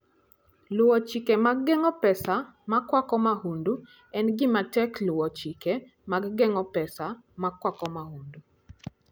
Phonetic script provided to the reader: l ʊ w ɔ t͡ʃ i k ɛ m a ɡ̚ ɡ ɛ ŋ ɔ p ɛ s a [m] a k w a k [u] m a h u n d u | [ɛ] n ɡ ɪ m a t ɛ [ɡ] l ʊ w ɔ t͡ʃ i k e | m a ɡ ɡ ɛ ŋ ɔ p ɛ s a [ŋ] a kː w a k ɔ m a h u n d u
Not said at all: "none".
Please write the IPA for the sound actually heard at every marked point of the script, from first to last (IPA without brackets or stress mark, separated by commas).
m, ɔ, ɛ, k, m